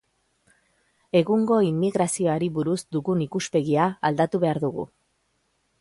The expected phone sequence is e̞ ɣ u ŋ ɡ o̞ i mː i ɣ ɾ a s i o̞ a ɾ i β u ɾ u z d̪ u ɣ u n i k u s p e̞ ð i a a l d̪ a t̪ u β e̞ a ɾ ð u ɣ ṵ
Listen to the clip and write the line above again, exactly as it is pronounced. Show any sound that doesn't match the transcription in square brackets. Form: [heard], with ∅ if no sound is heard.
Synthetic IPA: e̞ ɣ u ŋ ɡ o̞ i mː i ɣ ɾ a s i o̞ a ɾ i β u ɾ u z d̪ u ɣ u n i k u s p e̞ [ɣ] i a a l d̪ a t̪ u β e̞ a ɾ ð u ɣ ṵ